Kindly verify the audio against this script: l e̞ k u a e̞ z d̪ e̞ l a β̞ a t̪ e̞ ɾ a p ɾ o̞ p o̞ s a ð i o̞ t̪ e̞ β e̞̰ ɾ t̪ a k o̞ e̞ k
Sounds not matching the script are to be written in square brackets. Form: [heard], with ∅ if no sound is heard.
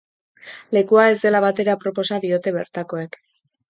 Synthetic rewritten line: l e̞ k u a e̞ z d̪ e̞ l a β̞ a t̪ e̞ ɾ a p ɾ o̞ p o̞ s a ð i o̞ t̪ e̞ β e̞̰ ɾ t̪ a k o̞ e̞ k